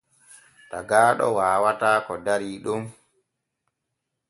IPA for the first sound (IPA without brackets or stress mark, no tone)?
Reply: t